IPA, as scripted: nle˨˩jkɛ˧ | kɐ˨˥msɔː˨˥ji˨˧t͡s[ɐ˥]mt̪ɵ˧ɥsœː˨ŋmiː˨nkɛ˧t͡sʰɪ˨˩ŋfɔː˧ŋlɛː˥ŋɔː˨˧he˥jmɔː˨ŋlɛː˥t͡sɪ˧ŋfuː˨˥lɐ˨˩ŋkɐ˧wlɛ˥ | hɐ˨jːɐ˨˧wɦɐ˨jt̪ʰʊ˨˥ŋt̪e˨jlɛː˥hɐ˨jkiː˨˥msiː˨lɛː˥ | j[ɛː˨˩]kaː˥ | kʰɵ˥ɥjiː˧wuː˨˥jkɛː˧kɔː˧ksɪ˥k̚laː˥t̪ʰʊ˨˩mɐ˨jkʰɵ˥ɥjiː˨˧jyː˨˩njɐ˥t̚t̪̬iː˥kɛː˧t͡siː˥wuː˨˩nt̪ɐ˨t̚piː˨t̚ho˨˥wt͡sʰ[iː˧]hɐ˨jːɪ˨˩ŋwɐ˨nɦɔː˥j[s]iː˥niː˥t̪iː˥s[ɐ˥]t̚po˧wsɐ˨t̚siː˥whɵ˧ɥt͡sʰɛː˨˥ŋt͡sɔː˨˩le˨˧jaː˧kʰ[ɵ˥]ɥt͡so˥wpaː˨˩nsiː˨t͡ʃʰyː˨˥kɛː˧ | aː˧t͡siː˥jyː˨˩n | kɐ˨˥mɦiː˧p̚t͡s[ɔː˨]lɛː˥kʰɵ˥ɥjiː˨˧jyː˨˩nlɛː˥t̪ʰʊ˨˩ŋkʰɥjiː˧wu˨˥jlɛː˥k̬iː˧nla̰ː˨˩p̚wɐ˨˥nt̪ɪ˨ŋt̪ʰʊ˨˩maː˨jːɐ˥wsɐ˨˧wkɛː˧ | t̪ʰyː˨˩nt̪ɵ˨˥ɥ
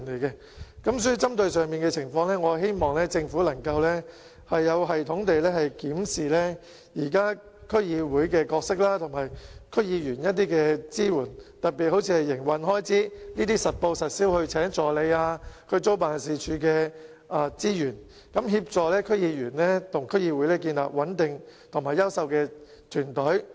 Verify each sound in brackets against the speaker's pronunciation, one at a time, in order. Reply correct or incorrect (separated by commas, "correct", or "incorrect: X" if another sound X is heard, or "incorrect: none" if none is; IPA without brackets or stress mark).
correct, incorrect: iː˨˩, correct, incorrect: t͡s, incorrect: ɐ˨, incorrect: ɵ˨˧, correct